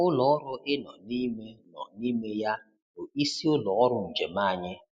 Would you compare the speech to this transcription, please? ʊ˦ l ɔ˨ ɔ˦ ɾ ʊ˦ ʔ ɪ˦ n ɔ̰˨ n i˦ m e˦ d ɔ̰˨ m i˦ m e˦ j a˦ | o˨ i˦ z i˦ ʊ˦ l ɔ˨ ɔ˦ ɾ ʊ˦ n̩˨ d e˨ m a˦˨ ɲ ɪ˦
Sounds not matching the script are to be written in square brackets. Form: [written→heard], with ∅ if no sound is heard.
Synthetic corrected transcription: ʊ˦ l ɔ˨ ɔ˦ ɾ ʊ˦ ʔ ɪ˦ n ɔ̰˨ n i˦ m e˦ [d→n] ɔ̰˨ [m→n] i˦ m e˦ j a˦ | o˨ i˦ [z→s] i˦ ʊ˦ l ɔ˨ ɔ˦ ɾ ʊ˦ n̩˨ [d→d͡ʒ] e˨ m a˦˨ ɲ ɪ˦